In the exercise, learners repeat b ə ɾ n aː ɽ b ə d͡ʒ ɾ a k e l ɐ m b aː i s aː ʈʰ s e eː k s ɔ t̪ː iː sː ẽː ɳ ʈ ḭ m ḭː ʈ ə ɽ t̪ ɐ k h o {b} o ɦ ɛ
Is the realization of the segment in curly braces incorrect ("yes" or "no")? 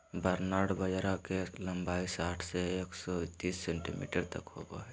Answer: yes